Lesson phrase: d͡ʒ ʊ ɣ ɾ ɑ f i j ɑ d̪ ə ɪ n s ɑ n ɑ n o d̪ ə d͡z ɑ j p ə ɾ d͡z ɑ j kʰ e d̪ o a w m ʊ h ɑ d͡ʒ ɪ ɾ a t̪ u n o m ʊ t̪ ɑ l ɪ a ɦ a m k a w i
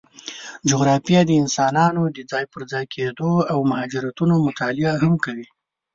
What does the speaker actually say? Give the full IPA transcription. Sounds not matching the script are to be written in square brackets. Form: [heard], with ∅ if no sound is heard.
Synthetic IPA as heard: d͡ʒ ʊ ɣ ɾ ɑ f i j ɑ d̪ ə ɪ n s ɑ n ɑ n o d̪ ə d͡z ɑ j p ə ɾ d͡z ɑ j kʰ e d̪ o a w m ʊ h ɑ d͡ʒ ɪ ɾ a t̪ u n o m ʊ t̪ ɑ l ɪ a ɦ a m k a w i